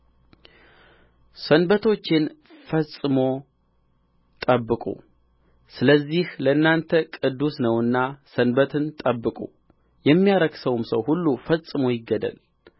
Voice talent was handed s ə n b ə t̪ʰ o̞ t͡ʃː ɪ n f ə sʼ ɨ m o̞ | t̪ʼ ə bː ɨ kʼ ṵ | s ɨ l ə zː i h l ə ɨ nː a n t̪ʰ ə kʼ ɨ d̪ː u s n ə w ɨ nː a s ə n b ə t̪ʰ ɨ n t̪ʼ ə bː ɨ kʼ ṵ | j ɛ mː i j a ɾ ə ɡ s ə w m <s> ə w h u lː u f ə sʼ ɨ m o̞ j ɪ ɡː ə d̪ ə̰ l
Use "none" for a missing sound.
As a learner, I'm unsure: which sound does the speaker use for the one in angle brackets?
s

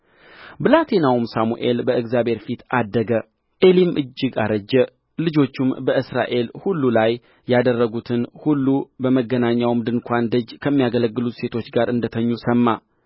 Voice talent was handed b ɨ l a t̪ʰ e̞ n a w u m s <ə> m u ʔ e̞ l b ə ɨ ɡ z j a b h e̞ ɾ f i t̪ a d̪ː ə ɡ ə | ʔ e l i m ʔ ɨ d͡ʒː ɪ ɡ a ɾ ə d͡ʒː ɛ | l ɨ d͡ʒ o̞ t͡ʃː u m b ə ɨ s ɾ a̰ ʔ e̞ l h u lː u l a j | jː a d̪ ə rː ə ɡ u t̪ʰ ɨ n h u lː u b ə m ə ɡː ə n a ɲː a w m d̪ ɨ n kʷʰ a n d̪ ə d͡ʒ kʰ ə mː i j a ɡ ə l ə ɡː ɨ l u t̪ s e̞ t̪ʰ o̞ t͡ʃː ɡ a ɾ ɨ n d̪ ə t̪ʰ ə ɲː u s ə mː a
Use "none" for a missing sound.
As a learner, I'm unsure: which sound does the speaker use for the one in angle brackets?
a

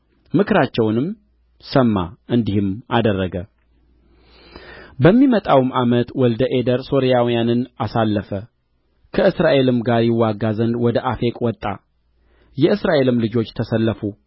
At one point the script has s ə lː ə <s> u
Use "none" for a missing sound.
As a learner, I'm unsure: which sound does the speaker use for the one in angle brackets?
f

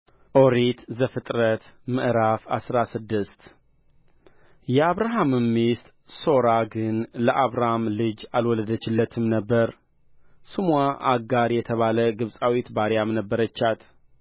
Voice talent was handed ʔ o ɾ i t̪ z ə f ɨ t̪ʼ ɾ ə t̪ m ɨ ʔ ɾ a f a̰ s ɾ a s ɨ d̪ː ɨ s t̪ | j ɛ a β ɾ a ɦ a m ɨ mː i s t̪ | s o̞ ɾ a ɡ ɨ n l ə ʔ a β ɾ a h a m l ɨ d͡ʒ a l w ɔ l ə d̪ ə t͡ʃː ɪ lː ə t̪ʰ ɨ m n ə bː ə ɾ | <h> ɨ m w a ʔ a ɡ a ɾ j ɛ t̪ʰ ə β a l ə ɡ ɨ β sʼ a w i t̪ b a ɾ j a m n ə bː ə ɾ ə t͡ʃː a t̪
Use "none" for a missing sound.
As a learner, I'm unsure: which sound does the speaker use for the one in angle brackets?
s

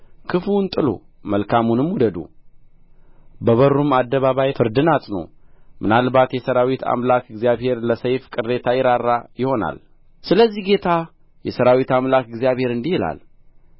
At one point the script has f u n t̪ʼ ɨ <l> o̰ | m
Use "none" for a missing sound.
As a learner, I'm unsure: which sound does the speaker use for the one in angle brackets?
l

